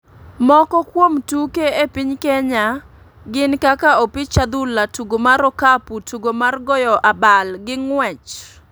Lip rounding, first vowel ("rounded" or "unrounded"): rounded